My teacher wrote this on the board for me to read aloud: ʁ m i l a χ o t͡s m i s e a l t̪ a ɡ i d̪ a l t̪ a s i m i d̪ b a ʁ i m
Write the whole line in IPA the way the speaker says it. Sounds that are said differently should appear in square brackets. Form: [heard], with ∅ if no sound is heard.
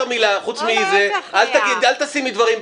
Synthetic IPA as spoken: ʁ m i l a χ [u] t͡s m i [z] e a l t̪ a ɡ i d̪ a l t̪ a s i m i d̪ [v] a ʁ i m